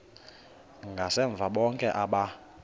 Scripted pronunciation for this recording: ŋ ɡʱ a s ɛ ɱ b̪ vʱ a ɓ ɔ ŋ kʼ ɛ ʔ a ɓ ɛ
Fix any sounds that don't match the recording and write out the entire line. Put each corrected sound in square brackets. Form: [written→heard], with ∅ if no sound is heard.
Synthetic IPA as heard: ŋ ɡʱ a s ɛ ɱ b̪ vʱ a ɓ ɔ ŋ kʼ ɛ ʔ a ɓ [ɛ→a]